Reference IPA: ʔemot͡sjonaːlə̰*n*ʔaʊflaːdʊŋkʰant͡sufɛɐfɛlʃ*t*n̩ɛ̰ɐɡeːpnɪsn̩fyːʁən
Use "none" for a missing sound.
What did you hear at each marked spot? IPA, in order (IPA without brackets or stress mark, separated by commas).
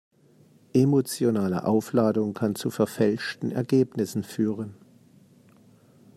none, t